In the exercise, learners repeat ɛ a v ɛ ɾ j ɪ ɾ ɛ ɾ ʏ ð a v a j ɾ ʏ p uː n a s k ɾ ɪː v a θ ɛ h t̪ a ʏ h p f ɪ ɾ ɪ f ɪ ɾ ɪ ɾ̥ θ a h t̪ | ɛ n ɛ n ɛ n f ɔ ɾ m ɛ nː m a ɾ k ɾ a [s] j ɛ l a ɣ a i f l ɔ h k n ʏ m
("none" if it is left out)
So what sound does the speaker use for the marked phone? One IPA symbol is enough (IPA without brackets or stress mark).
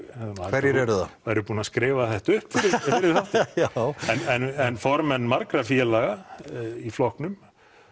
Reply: f